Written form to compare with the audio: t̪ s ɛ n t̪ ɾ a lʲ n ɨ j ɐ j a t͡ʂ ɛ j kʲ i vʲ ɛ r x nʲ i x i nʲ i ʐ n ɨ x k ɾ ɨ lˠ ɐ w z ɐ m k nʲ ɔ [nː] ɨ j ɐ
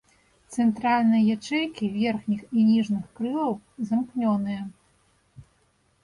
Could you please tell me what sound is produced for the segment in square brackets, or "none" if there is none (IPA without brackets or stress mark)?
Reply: n